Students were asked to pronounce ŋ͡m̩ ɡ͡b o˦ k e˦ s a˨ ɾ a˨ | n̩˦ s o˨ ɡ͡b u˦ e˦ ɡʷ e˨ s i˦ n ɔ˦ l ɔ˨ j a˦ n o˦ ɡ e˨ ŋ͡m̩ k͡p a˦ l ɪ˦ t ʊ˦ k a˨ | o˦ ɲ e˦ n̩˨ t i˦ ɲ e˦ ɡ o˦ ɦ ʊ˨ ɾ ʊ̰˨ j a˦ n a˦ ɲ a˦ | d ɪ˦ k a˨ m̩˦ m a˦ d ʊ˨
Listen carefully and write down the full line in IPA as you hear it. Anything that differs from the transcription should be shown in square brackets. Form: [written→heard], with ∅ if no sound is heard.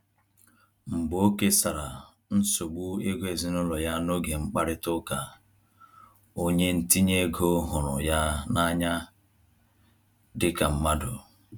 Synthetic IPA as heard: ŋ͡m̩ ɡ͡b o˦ k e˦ s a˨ ɾ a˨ | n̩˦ s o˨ ɡ͡b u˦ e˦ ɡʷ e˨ [s→z] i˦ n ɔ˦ l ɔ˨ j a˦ n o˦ ɡ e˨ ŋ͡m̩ k͡p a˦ [l→ɾ] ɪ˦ t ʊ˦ k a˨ | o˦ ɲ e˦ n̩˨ t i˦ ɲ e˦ ɡ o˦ ɦ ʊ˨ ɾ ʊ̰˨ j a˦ n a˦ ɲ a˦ | d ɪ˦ k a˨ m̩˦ m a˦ d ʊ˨